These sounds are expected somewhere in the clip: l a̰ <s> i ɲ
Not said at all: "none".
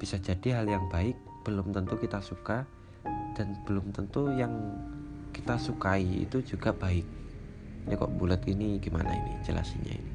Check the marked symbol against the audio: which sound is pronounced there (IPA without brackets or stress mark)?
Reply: s